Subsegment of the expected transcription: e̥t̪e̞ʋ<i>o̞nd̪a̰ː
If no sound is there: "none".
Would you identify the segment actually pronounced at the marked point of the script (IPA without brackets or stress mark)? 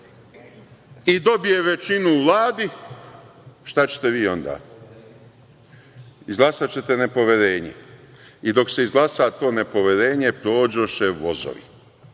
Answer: iː